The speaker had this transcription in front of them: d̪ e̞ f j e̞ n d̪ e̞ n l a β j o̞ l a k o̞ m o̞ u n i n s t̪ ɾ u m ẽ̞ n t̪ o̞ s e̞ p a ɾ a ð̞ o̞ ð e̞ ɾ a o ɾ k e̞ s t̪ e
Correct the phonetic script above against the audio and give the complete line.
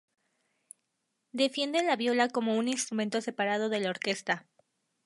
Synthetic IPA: d̪ e̞ f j e̞ n d̪ e̞ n l a β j o̞ l a k o̞ m o̞ u n i n s t̪ ɾ u m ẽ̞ n t̪ o̞ s e̞ p a ɾ a ð̞ o̞ ð e̞ l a o ɾ k e̞ s t̪ a